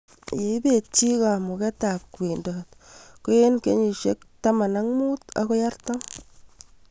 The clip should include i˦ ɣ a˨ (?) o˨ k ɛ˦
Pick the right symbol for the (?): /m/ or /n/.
m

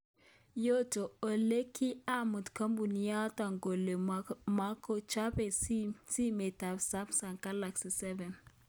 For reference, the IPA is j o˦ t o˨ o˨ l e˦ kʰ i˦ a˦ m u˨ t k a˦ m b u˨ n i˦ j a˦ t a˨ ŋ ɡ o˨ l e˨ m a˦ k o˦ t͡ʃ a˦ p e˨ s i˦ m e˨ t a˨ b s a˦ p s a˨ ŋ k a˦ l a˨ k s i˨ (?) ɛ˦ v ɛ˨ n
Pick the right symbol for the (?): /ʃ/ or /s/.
s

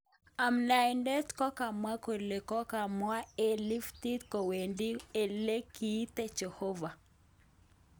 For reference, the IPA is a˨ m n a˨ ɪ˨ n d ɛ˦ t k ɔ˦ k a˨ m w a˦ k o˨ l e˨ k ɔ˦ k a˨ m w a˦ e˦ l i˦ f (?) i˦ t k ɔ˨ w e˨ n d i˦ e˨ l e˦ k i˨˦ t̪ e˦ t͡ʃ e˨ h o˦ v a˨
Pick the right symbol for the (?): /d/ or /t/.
t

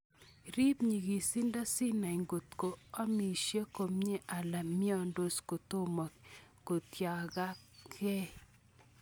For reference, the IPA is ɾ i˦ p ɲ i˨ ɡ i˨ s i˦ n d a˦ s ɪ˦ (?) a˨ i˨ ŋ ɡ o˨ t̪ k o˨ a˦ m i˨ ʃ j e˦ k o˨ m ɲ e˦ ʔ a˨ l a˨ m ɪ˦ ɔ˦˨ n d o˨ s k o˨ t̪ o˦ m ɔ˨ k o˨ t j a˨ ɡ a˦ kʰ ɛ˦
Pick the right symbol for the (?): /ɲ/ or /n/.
n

